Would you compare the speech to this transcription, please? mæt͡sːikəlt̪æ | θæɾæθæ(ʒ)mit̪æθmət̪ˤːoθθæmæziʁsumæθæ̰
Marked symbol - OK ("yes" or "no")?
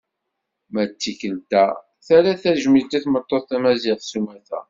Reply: yes